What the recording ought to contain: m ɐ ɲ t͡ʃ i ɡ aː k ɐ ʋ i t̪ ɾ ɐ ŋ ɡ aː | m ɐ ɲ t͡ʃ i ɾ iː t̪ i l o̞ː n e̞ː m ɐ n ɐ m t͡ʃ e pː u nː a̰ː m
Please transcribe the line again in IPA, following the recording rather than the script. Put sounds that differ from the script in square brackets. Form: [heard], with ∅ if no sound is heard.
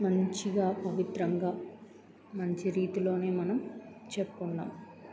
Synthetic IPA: m ɐ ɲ t͡ʃ i ɡ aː [p] ɐ ʋ i t̪ ɾ ɐ ŋ ɡ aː | m ɐ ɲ t͡ʃ i ɾ iː t̪ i l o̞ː n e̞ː m ɐ n ɐ m t͡ʃ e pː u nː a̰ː m